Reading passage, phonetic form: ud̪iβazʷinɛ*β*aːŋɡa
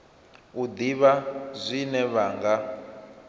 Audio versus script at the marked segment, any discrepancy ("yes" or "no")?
no